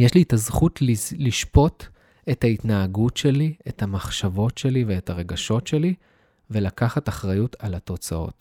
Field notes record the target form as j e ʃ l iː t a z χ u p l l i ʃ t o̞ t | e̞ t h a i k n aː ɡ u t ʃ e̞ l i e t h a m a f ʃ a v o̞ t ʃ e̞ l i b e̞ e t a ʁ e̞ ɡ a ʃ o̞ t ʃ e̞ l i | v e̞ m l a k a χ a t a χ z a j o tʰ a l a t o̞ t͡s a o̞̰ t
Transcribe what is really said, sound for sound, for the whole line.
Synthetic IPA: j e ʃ l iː t a z χ u t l l i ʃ p o̞ t | e̞ t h a i t n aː ɡ u t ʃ e̞ l i e t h a m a χ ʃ a v o̞ t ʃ e̞ l i v e̞ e t a ʁ e̞ ɡ a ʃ o̞ t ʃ e̞ l i | v e̞ l a k a χ a t a χ ʁ a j u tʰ a l a t o̞ t͡s a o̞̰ t